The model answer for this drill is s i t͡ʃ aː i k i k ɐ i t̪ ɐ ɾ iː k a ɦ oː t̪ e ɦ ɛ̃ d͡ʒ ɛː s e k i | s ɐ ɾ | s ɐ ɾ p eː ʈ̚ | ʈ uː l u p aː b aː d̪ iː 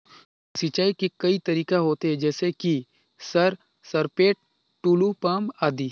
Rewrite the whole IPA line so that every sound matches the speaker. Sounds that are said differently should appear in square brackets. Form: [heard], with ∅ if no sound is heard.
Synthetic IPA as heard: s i t͡ʃ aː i k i k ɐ i t̪ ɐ ɾ iː k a ɦ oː t̪ e ɦ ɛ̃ d͡ʒ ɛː s e k i | s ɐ ɾ | s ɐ ɾ p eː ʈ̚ | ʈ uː l u p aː [m] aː d̪ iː